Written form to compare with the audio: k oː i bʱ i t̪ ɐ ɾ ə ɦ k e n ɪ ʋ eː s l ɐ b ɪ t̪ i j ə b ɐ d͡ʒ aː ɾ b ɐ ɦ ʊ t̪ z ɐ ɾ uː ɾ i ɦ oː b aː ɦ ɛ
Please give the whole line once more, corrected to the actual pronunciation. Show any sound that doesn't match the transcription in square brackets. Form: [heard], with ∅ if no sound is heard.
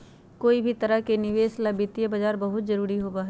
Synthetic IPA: k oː i bʱ i t̪ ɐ ɾ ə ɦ k e n ɪ ʋ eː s l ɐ b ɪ t̪ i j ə b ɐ d͡ʒ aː ɾ b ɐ ɦ ʊ t̪ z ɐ ɾ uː ɾ i ɦ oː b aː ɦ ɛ

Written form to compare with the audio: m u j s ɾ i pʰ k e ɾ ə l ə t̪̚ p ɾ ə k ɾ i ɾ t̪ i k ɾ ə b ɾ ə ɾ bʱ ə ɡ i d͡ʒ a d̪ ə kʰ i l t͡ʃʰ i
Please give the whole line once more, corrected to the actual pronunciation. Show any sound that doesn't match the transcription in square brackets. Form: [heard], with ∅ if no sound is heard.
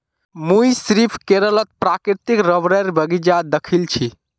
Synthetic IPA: m u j s ɾ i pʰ k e ɾ ə l ə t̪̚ p ɾ [a] k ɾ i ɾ t̪ i k ɾ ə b ɾ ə ɾ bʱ ə ɡ i d͡ʒ a d̪ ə kʰ i l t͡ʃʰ i

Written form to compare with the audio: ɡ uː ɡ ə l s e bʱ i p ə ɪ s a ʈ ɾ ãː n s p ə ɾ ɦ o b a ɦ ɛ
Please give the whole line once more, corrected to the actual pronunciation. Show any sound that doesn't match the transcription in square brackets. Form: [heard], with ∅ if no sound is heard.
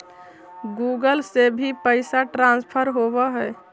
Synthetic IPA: ɡ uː ɡ ə l s e bʱ i p ə ɪ s a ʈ ɾ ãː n s [pʰ] ə ɾ ɦ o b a ɦ ɛ

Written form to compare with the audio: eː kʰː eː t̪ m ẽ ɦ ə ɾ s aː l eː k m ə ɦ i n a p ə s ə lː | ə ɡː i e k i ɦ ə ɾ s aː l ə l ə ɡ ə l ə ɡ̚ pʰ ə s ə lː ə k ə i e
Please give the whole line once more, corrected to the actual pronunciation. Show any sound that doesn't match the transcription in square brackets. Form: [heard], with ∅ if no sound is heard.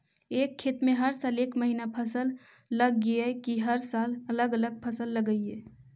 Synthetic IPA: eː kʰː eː t̪ m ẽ ɦ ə ɾ s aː l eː k m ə ɦ i n a [pʰ] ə s ə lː | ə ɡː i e k i ɦ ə ɾ s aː l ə l ə ɡ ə l ə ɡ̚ pʰ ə s ə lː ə [ɡ] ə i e

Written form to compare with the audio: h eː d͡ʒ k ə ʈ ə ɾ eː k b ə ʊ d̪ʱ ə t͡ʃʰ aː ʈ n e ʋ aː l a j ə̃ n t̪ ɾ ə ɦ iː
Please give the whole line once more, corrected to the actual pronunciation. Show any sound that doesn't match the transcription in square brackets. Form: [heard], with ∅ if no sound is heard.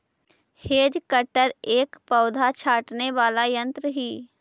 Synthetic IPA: h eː d͡ʒ k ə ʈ ə ɾ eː k [p] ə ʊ d̪ʱ [a] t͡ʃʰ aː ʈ n e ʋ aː l a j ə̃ n t̪ ɾ ə ɦ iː

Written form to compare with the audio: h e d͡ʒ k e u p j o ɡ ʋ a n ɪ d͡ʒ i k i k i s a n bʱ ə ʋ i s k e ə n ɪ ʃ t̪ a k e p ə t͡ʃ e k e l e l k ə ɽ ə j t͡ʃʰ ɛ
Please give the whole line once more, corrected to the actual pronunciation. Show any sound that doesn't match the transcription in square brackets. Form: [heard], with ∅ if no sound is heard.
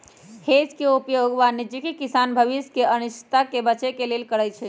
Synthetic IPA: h e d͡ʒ k e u p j o ɡ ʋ a n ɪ d͡ʒ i k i k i s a n bʱ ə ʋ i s k e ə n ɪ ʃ t̪ a k e [b] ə t͡ʃ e k e l e l k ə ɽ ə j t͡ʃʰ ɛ

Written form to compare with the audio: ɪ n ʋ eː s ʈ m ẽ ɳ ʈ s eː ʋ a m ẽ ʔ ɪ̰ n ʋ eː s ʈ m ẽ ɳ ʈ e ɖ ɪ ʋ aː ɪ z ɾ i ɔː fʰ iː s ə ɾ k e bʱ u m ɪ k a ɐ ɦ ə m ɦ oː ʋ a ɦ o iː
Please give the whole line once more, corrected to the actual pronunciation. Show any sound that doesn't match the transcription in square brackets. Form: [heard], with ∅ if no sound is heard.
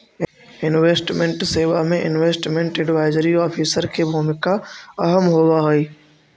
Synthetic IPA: ɪ n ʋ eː s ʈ m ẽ ɳ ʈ s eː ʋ a m ẽ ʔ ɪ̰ n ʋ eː s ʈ m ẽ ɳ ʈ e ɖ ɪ ʋ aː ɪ z ɾ i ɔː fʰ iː s ə ɾ [kʰ] e bʱ u m ɪ k a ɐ ɦ ə m ɦ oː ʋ a ɦ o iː

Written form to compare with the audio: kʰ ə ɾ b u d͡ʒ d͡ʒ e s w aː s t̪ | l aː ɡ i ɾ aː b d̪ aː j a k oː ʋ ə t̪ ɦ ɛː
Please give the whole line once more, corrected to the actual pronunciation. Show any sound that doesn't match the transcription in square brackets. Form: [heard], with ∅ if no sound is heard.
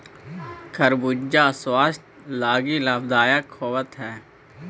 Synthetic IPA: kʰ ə ɾ b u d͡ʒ d͡ʒ [a] s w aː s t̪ | l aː ɡ i [l] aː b d̪ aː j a [kʰ] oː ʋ ə t̪ ɦ ɛː

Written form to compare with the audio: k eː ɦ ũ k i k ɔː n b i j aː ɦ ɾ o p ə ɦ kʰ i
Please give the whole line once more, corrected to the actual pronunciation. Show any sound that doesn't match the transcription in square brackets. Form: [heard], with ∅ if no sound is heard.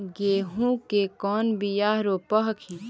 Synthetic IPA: [ɡ] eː ɦ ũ k [e] k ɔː n b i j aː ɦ ɾ o p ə ɦ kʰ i

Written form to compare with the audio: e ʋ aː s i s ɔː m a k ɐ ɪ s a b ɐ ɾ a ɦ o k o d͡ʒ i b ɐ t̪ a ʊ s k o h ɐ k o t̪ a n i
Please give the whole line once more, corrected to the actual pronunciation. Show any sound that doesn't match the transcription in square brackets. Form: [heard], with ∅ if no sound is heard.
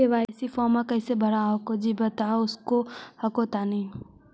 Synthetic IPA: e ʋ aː s i [f] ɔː m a k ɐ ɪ s [e] b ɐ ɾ a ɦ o k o d͡ʒ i b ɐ t̪ a ʊ s k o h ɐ k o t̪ a n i

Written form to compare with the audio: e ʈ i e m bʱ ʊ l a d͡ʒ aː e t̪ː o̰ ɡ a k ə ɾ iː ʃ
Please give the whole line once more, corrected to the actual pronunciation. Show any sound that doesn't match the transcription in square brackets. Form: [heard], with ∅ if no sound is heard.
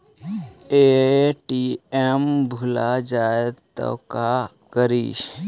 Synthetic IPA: e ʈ i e m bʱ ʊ l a d͡ʒ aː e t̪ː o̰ [k] a k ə ɾ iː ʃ

